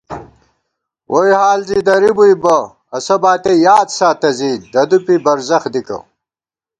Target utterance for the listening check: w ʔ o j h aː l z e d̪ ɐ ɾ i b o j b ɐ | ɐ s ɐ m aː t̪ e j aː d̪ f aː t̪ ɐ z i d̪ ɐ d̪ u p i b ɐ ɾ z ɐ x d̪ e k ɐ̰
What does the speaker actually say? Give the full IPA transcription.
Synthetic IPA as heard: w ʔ o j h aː l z i d̪ ɐ ɾ i b u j b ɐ | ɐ s ɐ b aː t̪ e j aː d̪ s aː t̪ ɐ z i d̪ ɐ d̪ u p i b ɐ ɾ z ɐ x d̪ i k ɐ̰